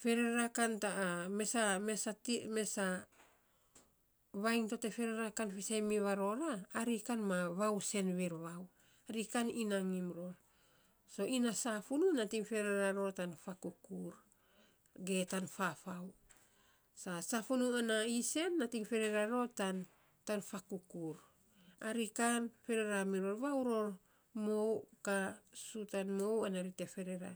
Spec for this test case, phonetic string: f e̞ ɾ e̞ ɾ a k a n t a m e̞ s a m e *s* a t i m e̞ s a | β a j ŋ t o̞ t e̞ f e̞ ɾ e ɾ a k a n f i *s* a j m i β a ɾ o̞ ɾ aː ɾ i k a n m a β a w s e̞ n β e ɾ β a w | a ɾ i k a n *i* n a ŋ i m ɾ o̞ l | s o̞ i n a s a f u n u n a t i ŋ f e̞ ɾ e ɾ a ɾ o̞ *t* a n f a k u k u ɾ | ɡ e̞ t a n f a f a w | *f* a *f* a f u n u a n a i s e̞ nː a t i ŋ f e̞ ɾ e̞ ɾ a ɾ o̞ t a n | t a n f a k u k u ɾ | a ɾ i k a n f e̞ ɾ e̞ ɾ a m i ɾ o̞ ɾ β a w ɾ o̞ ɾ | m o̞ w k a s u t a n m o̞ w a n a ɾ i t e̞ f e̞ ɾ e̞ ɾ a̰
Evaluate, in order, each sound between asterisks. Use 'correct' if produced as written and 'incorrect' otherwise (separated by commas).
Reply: correct, correct, correct, correct, incorrect, incorrect